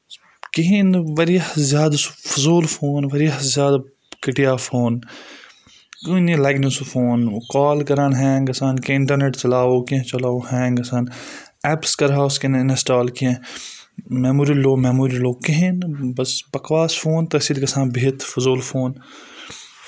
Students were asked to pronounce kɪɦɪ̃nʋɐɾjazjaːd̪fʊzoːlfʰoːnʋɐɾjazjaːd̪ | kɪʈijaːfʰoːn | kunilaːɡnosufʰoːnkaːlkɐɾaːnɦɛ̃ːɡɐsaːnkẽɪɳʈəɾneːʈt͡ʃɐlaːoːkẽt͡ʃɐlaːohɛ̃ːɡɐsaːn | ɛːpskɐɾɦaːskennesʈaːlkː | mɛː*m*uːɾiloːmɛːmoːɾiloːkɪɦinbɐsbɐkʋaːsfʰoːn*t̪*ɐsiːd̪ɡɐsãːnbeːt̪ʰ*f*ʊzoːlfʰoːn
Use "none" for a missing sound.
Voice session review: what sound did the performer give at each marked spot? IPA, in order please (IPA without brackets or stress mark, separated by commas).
m, t̪, f